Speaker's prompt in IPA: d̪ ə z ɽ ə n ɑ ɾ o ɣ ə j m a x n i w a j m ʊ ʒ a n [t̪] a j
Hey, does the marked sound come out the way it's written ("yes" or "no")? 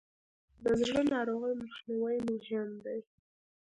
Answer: no